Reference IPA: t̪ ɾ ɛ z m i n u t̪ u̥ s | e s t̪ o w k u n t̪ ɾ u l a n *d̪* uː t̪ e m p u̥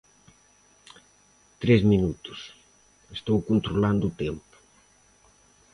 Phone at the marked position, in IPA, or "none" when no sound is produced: d̪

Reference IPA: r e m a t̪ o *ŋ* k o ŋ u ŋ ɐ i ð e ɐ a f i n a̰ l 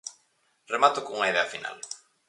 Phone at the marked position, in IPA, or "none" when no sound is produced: none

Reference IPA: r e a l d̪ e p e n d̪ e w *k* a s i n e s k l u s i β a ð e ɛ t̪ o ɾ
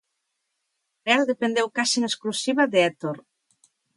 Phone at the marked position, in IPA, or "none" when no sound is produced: k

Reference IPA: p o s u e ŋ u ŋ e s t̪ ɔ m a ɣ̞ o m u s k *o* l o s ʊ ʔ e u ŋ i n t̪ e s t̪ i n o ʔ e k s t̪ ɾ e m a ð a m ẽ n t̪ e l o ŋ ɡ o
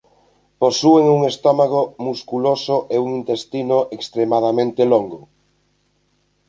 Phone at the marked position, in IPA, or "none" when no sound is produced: u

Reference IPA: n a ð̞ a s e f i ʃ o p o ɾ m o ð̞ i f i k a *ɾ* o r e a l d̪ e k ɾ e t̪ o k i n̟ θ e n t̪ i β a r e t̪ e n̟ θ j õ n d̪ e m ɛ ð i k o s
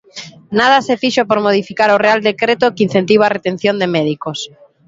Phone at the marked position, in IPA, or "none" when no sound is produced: ɾ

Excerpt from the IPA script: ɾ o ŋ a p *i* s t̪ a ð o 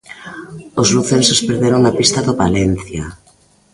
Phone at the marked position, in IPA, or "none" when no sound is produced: i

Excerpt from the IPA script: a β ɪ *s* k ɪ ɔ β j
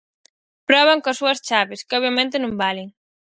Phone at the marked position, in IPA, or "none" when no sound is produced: s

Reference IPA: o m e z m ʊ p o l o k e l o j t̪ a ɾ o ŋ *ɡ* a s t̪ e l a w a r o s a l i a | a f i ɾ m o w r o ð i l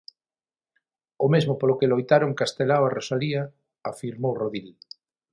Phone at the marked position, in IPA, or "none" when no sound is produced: k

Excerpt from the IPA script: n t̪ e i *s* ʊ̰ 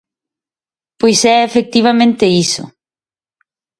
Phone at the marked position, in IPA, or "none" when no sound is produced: s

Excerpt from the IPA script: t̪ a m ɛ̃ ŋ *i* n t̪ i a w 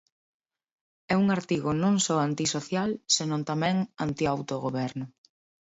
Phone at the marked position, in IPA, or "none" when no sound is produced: a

